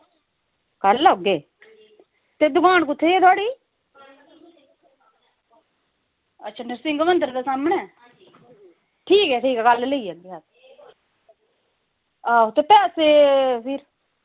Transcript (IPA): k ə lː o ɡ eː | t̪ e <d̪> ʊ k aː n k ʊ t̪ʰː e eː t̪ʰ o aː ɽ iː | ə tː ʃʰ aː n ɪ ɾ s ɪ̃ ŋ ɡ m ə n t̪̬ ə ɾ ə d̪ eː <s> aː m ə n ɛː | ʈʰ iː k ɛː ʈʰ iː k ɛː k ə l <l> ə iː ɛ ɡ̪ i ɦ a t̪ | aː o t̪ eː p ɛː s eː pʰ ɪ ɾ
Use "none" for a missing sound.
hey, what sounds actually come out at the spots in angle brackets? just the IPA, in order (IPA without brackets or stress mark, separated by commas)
d̪, s, l